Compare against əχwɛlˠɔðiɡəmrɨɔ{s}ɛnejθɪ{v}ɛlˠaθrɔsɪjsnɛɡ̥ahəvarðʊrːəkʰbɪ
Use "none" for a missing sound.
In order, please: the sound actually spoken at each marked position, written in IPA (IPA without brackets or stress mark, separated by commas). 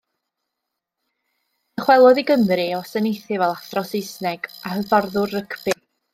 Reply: s, v